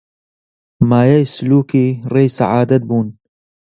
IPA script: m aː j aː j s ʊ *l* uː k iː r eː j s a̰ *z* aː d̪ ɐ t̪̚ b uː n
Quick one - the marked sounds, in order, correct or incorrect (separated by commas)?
correct, incorrect